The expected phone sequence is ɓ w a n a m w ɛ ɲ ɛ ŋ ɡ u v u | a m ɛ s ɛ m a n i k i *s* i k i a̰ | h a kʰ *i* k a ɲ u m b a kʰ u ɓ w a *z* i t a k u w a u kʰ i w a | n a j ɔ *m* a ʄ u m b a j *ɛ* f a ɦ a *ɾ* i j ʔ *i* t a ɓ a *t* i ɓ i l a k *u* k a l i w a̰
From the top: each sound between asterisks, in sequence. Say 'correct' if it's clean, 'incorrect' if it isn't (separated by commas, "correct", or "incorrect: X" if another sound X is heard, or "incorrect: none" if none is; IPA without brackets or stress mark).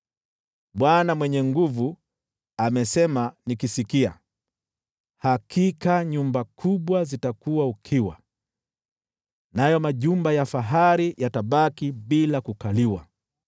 correct, correct, correct, correct, incorrect: a, correct, incorrect: a, incorrect: k, correct